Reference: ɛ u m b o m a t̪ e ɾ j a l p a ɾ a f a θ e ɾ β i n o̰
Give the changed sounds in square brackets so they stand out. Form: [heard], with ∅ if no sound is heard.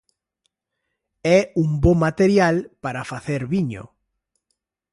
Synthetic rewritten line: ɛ u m b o m a t̪ e ɾ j a l p a ɾ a f a θ e ɾ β i [ɲ] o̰